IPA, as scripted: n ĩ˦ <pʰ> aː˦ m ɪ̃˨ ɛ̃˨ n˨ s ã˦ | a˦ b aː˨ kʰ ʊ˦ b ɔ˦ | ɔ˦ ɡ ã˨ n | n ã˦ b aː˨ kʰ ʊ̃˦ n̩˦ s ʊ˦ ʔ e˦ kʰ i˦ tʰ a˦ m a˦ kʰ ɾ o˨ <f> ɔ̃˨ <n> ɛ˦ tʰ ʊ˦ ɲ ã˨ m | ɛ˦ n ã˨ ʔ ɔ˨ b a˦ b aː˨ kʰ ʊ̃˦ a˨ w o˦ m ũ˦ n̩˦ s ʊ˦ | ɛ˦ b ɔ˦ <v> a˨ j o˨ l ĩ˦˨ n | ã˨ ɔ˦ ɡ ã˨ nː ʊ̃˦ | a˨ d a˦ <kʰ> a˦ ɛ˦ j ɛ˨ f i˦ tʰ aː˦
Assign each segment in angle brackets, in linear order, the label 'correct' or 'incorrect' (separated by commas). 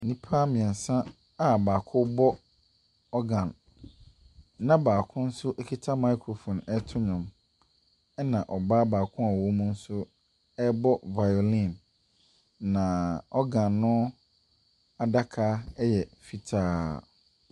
correct, correct, correct, correct, correct